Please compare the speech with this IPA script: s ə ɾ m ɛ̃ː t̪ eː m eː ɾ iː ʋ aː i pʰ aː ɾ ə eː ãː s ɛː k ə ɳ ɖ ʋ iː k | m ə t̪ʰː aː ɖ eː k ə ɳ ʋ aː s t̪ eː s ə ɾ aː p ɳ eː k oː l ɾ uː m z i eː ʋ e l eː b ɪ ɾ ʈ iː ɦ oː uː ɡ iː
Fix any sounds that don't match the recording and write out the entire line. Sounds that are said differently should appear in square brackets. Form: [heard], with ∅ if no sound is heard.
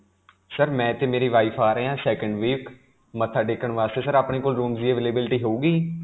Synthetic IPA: s ə ɾ m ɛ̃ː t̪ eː m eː ɾ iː ʋ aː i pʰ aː ɾ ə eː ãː s ɛː k ə ɳ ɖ ʋ iː k | m ə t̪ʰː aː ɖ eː k ə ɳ ʋ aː s t̪ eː s ə ɾ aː p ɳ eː k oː l ɾ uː m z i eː ʋ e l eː b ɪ [l] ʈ iː ɦ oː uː ɡ iː

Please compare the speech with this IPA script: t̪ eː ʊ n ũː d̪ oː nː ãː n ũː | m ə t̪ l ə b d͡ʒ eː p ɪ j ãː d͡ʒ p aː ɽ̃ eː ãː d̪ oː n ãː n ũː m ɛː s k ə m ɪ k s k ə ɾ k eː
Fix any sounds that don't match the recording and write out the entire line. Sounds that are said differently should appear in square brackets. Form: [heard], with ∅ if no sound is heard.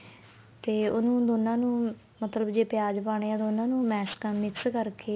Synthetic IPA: t̪ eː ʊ n ũː d̪ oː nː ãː n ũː | m ə t̪ l ə b d͡ʒ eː p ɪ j [aː] d͡ʒ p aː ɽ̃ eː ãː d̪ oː n ãː n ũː m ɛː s k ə m ɪ k s k ə ɾ k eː

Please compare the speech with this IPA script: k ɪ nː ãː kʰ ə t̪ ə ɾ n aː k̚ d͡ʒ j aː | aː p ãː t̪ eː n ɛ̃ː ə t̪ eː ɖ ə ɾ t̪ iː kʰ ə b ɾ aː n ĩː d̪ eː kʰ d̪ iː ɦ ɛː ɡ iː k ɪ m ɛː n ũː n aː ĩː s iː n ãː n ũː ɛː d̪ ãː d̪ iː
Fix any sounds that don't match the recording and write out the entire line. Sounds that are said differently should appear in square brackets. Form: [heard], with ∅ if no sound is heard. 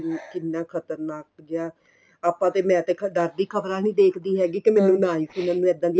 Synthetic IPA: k ɪ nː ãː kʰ ə t̪ ə ɾ n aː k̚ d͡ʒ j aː | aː p ãː t̪ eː [m] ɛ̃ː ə t̪ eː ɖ ə ɾ [d̪] iː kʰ ə b ɾ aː n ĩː d̪ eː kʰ d̪ iː ɦ ɛː ɡ iː k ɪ m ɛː n ũː n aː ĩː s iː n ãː n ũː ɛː d̪ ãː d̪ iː

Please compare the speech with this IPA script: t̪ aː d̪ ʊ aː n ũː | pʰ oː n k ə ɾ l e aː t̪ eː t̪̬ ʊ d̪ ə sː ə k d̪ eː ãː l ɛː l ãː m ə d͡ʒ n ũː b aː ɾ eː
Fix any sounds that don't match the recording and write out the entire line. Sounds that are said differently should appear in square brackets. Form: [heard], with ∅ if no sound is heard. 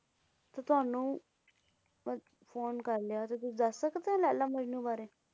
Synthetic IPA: t̪ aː [t̪] ʊ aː n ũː | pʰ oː n k ə ɾ l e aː t̪ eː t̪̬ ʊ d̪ ə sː ə k d̪ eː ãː l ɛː l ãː m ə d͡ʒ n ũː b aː ɾ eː

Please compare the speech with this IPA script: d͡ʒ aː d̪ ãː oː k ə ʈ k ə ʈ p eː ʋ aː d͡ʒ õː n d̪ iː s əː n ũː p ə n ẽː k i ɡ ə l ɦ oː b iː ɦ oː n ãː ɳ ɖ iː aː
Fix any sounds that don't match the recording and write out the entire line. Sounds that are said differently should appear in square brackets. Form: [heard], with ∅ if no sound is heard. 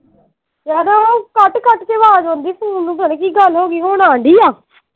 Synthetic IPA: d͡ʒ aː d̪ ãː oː k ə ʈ k ə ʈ [k] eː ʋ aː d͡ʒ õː n d̪ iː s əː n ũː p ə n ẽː k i ɡ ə l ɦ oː [ɡ] iː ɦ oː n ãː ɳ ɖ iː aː

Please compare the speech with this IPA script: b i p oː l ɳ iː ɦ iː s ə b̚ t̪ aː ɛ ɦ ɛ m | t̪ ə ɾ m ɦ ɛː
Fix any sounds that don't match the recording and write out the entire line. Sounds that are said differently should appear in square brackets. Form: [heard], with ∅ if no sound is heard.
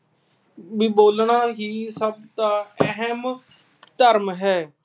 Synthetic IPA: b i [b] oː l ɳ [aː] ɦ iː s ə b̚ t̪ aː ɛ ɦ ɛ m | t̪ ə ɾ m ɦ ɛː

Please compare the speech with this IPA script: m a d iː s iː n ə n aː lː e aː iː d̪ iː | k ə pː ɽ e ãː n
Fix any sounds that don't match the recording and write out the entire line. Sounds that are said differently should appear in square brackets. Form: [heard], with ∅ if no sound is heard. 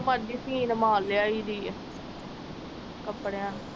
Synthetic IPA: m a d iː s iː n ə [m] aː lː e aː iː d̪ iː | k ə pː ɽ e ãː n

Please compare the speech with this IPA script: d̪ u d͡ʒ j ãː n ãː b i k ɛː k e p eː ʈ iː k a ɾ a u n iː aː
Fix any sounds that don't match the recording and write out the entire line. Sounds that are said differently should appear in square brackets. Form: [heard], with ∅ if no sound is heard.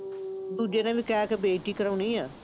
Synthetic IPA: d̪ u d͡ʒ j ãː n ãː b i k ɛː k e [b] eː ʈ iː k [ə] ɾ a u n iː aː

